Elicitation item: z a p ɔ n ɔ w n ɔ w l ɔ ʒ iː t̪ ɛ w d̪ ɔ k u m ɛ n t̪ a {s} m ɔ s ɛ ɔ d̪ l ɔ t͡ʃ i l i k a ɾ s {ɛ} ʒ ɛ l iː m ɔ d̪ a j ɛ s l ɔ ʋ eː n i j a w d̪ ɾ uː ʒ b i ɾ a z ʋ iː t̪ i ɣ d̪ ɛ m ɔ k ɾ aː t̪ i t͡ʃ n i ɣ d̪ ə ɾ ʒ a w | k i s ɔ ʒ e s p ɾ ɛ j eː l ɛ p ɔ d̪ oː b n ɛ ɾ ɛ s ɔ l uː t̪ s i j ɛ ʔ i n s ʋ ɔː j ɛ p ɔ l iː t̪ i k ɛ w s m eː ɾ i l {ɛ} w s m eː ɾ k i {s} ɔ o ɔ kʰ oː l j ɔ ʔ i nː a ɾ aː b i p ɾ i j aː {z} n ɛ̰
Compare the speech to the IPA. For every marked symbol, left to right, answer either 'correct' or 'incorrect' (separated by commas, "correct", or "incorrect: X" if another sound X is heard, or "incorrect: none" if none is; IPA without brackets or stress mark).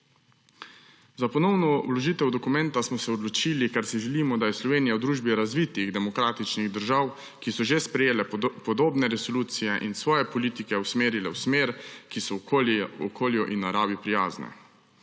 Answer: correct, incorrect: i, correct, correct, correct